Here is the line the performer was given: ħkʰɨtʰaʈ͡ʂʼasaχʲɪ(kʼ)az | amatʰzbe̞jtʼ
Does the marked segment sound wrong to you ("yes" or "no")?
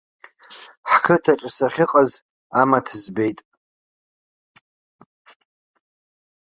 yes